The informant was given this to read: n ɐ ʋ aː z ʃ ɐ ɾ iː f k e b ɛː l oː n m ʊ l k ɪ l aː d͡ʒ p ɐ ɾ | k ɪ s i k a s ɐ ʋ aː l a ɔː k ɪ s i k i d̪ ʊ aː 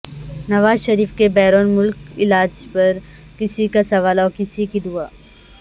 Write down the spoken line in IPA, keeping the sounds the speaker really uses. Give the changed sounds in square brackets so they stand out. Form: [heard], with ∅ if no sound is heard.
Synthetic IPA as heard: n ɐ ʋ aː z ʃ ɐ ɾ iː f k e b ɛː [ɾ] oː n m ʊ l k ɪ l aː d͡ʒ p ɐ ɾ | k ɪ s i k a s ɐ ʋ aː l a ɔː k ɪ s i k i d̪ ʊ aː

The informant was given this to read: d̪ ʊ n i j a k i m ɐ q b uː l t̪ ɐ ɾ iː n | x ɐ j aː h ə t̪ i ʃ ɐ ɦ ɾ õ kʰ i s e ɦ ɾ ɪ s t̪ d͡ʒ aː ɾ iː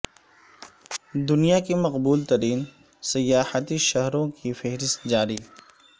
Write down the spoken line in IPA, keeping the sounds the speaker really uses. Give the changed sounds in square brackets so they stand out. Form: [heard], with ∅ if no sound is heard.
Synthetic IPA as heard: d̪ ʊ n i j a k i m ɐ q b uː l t̪ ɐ ɾ iː n | [s] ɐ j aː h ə t̪ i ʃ ɐ ɦ ɾ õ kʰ i [f] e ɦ ɾ ɪ s t̪ d͡ʒ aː ɾ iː

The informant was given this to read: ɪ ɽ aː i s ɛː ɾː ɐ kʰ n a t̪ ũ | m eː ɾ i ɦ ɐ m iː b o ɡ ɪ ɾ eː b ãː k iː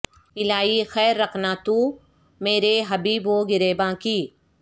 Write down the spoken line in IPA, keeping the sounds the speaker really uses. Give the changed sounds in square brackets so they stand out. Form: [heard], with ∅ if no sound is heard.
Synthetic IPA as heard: ɪ [l] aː i [x] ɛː ɾː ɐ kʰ n a t̪ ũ | m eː ɾ [e] ɦ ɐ [b] iː b o ɡ ɪ ɾ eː b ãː k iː

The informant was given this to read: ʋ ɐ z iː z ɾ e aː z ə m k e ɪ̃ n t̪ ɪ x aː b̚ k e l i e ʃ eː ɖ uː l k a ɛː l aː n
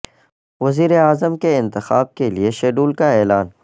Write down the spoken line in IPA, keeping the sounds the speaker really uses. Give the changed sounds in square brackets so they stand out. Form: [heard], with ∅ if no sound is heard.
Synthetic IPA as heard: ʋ ɐ z iː [∅] ɾ e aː z ə m k e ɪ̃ n t̪ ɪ x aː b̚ k e l i e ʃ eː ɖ uː l k a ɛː l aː n

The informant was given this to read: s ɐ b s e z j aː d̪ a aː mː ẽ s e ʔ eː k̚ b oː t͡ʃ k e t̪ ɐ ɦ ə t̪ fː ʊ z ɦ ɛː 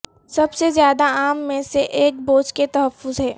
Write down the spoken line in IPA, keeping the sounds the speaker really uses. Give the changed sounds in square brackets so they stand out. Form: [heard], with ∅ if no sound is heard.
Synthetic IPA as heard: s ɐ b s e z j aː d̪ a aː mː ẽ s e ʔ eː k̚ b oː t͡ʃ k e t̪ ɐ ɦ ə [∅] fː ʊ z ɦ ɛː

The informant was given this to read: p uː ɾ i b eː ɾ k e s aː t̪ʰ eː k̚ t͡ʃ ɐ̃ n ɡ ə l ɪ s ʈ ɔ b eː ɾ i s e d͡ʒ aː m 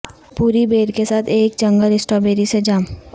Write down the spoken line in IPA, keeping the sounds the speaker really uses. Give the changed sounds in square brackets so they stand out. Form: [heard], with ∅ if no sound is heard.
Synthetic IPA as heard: p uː ɾ i b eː ɾ k e s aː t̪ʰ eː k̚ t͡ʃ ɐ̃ [ŋ] ɡ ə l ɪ s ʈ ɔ b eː ɾ i s e d͡ʒ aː m

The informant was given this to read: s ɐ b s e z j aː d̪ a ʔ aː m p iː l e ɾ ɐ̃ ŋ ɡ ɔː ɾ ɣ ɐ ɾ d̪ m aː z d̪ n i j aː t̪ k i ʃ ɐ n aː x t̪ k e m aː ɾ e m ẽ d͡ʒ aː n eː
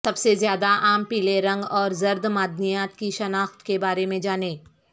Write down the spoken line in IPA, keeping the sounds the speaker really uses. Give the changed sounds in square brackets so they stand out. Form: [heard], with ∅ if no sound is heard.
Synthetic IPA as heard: s ɐ b s e z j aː d̪ a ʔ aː m p iː l e ɾ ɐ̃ ŋ ɡ ɔː ɾ [z] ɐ ɾ d̪ m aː [∅] d̪ n i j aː t̪ k i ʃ ɐ n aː x t̪ k e [b] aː ɾ e m ẽ d͡ʒ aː n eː

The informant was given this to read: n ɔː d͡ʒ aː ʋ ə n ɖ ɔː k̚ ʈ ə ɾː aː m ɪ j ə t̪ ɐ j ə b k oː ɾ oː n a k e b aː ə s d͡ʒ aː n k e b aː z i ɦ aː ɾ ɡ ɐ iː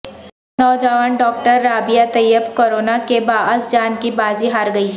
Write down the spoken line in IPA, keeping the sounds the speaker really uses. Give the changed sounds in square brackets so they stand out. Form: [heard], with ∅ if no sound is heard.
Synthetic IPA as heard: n ɔː d͡ʒ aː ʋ ə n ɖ ɔː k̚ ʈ ə ɾː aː [b] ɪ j [a] t̪ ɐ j ə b k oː ɾ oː n a k e b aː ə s d͡ʒ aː n k [i] b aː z i ɦ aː ɾ ɡ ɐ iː

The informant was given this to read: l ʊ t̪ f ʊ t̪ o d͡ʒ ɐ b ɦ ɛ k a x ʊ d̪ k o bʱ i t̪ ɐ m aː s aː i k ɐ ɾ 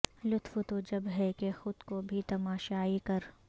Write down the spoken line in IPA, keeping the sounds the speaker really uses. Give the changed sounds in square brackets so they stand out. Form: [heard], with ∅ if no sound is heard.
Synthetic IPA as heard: l ʊ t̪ f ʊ t̪ o d͡ʒ ɐ b ɦ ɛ k [e] x ʊ d̪ k o bʱ i t̪ ɐ m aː [ʃ] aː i k ɐ ɾ

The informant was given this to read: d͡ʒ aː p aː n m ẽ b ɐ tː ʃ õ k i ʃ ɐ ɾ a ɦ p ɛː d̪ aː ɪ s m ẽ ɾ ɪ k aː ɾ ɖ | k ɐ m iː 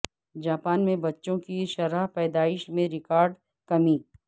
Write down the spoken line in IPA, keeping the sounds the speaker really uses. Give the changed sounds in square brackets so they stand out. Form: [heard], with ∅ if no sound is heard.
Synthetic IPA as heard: d͡ʒ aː p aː n m ẽ b ɐ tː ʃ õ k i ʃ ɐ ɾ a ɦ p ɛː d̪ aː ɪ [ʃ] m ẽ ɾ ɪ k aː ɾ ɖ | k ɐ m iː

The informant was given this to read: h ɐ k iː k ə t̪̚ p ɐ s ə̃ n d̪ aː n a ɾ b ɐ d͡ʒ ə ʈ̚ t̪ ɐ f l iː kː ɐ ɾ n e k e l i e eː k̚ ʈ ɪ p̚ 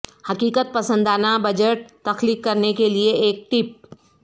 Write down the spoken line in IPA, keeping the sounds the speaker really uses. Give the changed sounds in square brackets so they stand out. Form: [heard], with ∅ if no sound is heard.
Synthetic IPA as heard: h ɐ k iː k ə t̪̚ p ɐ s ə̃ n d̪ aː n a [∅] b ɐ d͡ʒ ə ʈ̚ t̪ ɐ [x] l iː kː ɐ ɾ n e k e l i e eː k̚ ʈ ɪ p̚

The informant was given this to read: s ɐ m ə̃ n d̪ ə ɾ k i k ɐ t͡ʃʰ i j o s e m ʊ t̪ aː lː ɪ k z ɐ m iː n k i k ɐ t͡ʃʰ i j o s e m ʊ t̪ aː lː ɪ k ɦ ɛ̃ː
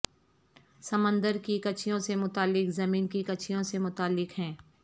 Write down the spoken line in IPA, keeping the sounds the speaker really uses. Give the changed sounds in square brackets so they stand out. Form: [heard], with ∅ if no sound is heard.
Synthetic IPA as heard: s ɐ m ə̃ n d̪ ə ɾ k i k ɐ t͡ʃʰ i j [õ] s e m ʊ t̪ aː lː ɪ k z ɐ m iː n k i k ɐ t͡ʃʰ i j [õ] s e m ʊ t̪ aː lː ɪ k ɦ ɛ̃ː

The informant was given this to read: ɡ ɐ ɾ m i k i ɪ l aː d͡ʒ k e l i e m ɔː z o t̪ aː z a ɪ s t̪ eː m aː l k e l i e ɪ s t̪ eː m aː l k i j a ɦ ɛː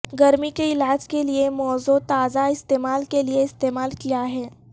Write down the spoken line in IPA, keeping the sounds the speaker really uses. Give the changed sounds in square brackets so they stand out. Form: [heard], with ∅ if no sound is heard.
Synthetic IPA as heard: ɡ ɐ ɾ m i k [e] ɪ l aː d͡ʒ k e l i e m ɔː z o t̪ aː z a ɪ s t̪ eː m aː l k e l i e ɪ s t̪ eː m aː l k i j a ɦ ɛː

